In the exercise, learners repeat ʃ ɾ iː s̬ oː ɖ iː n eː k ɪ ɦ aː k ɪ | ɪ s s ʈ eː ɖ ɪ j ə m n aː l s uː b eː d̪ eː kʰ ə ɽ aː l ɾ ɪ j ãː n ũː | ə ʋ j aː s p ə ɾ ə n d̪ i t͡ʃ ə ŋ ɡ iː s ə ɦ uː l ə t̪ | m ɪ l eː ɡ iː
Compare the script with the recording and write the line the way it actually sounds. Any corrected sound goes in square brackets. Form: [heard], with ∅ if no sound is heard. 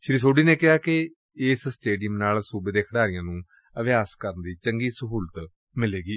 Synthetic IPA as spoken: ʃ ɾ iː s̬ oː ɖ iː n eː k ɪ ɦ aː k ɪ | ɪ s s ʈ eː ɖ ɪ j ə m n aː l s uː b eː d̪ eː kʰ ə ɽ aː [∅] ɾ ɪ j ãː n ũː | ə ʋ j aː s [k] ə ɾ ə n d̪ [iː] t͡ʃ ə ŋ ɡ iː s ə ɦ uː l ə t̪ | m ɪ l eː ɡ iː